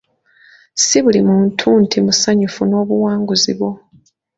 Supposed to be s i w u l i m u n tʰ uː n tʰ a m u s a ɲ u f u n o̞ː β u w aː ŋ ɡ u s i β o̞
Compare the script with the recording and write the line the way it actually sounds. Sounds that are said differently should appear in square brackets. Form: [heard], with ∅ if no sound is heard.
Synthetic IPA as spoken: s i [β] u l i m u n tʰ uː n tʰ [i] m u s a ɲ u f u n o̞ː β u w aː ŋ ɡ u [z] i β o̞

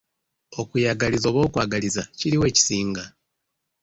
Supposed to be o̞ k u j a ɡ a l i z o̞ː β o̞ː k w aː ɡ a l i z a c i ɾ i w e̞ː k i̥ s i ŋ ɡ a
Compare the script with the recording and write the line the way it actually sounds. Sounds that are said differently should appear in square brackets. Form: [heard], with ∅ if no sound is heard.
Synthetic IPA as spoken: o̞ k u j a ɡ a l i z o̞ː β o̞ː k w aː ɡ a l i z a c i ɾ i w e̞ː [c] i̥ s [iː] ŋ ɡ a

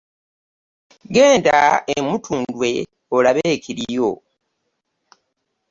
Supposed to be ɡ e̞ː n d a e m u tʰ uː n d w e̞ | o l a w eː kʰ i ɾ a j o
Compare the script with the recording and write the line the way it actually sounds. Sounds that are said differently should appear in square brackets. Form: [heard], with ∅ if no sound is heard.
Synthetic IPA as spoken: ɡ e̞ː n d a e m u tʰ uː n d w e̞ | o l a [β] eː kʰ i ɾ [i] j o

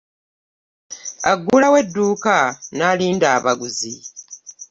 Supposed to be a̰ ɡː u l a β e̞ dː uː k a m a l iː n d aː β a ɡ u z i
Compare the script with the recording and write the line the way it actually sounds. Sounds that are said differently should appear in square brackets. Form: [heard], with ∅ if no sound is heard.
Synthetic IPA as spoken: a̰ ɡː u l a [w] e̞ dː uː k a [n] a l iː n d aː β a ɡ u z i

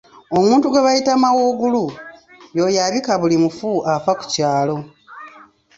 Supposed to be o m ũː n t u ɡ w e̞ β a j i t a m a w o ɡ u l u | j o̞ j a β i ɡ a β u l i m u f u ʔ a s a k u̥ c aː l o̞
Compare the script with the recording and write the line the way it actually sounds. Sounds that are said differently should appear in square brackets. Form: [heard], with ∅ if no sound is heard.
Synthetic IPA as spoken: o m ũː n t u ɡ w e̞ β a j i t a m a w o ɡ u l u | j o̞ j a β i [k] a β u l i m u f u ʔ a [f] a k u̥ c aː l o̞

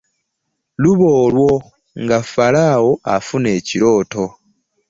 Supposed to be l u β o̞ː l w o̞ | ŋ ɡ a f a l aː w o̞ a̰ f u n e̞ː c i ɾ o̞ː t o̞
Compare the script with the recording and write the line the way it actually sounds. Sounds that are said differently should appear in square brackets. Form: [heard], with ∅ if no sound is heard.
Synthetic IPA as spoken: l u β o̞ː l w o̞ | ŋ ɡ a f a l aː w o̞ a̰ f u n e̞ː c i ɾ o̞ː t o̞

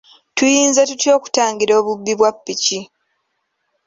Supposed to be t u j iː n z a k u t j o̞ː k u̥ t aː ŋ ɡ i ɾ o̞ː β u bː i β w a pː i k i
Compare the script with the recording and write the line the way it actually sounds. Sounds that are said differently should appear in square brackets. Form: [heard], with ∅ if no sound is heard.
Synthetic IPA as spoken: t u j iː n z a [t] u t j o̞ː k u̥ t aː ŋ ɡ i ɾ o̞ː β u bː i β w a pː i [c] i

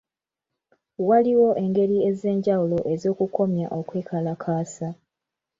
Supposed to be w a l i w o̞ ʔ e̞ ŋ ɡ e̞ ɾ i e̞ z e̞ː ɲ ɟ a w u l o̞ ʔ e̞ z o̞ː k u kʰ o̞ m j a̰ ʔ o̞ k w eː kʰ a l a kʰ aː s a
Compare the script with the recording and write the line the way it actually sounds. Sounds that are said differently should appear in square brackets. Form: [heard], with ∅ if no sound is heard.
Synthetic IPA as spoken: w a l i w o̞ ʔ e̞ ŋ ɡ e̞ ɾ i e̞ z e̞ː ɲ ɟ a w u l o̞ ʔ e̞ z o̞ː k u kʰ o̞ m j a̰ ʔ o̞ k w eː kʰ a l a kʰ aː s a

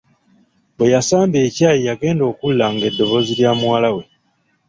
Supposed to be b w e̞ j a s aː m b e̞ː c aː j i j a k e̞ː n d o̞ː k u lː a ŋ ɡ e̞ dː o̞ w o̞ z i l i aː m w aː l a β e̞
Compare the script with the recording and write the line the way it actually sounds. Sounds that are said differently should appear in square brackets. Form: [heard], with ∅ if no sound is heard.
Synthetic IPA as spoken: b w e̞ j a s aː m b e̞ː c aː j i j a [ɡ] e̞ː n d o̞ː k u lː a ŋ ɡ e̞ dː o̞ [β] o̞ z i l [j] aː m w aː l a [w] e̞

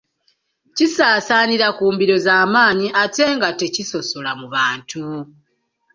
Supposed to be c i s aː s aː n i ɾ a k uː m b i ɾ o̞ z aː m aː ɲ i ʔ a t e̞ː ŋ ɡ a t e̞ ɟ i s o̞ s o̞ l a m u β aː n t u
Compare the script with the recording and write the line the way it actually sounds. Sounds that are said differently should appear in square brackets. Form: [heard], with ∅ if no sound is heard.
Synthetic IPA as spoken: c i s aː s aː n i ɾ a k uː m b i ɾ o̞ z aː m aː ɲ i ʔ a t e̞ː ŋ ɡ a t e̞ [c] i s o̞ s o̞ l a m u β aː n t u

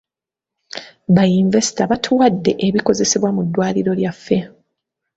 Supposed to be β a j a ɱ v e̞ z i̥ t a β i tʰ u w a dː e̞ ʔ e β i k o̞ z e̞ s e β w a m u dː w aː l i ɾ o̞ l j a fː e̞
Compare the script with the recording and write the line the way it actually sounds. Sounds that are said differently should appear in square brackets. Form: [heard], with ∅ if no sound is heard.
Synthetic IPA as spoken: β a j [i] ɱ v e̞ [s] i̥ t a β [a] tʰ u w a dː e̞ ʔ e β i k o̞ z e̞ s e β w a m u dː w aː l i ɾ o̞ l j a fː e̞

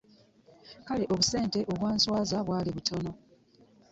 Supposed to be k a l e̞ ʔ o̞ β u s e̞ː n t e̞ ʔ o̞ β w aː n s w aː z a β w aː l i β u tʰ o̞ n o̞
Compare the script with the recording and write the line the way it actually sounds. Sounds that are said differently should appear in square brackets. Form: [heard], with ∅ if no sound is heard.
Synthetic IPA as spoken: k a l e̞ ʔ o̞ β u s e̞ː n t e̞ ʔ o̞ β w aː n s w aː z a β w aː l i β u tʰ o̞ n o̞

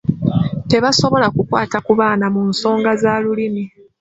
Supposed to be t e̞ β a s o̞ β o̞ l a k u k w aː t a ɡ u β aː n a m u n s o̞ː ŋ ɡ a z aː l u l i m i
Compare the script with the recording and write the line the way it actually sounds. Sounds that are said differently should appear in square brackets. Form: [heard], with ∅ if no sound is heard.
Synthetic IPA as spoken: t e̞ β a s o̞ β o̞ l a k u k w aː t a [k] u β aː n a m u n s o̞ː ŋ ɡ a z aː l u l i m i

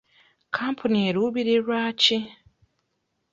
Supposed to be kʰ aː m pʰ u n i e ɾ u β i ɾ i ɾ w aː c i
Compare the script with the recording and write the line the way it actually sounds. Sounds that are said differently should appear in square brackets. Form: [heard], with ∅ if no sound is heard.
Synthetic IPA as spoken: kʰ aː m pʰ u n i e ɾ u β i ɾ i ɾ w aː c i

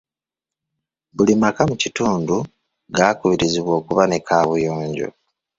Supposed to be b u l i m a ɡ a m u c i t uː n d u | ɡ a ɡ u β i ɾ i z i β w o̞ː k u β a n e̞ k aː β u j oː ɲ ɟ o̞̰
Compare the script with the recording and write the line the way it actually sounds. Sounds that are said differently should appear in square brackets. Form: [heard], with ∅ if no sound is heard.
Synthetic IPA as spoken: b u l i m a [k] a m u c i t uː n d u | ɡ a [k] u β i ɾ i z i β w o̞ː k u β a n e̞ k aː β u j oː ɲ ɟ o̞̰

